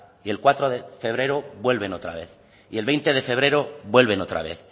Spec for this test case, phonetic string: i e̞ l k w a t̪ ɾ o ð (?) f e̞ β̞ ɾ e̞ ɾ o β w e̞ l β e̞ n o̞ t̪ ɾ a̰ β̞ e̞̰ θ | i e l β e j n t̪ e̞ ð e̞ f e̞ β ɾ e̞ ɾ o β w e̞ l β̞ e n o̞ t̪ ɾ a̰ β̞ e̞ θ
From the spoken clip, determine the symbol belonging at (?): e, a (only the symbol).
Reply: e